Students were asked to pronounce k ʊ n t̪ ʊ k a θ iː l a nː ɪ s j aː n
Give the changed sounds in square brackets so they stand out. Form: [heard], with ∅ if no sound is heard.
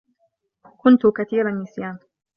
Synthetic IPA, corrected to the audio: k ʊ n t̪ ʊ k a θ iː [ɾ] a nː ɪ s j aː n